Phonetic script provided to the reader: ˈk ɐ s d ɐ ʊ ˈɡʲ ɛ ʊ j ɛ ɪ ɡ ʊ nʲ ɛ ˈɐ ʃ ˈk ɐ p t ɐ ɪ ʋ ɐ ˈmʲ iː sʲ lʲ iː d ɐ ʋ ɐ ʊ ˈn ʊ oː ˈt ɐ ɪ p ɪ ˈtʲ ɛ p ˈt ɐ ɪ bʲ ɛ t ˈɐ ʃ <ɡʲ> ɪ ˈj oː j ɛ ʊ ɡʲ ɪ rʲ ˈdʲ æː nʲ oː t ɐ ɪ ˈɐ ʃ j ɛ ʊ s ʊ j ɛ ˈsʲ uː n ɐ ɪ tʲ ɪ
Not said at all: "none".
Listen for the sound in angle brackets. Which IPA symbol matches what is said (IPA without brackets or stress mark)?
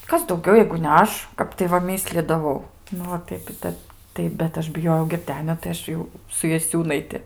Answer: bʲ